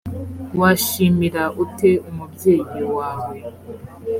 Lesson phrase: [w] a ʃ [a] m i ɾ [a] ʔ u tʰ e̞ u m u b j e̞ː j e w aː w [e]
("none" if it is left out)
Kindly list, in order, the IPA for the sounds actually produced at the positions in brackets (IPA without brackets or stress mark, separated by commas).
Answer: w, i, a, e